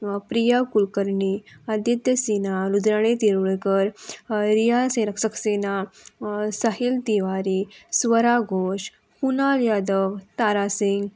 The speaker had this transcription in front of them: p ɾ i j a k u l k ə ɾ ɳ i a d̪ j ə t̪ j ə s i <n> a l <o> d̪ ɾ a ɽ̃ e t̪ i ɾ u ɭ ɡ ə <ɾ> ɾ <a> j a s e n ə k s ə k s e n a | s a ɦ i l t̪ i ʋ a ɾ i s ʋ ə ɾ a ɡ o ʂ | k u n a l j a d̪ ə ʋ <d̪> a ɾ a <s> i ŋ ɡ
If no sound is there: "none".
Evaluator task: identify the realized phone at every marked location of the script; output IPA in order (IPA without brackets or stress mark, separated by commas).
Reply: n, u, ɾ, i, t̪, s